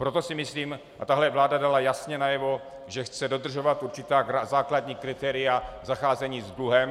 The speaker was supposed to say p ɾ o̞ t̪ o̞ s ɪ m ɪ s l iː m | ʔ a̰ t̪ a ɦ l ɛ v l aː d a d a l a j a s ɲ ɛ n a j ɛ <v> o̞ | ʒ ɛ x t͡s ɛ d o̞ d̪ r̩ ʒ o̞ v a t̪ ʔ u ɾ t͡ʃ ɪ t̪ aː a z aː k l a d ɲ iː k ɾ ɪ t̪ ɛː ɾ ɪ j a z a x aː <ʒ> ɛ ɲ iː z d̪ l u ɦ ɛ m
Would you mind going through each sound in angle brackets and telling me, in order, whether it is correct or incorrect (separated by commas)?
correct, incorrect